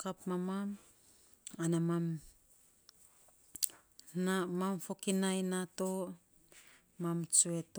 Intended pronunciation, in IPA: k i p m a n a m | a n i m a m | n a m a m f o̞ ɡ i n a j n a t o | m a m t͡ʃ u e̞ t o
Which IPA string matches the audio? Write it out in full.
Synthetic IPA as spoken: k a p m a m a m | a n a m a m | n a m a m f o̞ k i n a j n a t o | m a m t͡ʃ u e̞ t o